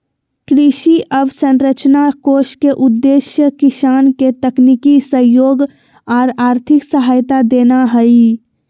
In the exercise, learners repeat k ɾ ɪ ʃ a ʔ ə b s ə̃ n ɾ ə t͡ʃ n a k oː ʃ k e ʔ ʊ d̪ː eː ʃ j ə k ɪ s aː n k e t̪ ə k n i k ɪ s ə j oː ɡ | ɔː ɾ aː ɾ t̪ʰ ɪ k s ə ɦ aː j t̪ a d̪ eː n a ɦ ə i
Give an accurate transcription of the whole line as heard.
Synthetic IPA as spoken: k ɾ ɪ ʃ i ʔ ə b s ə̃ n ɾ ə t͡ʃ n a k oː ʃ k e ʔ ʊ d̪ː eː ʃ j ə k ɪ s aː n k e t̪ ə k n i k i s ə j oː ɡ | ɔː ɾ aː ɾ t̪ʰ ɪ k s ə ɦ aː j t̪ a d̪ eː n a ɦ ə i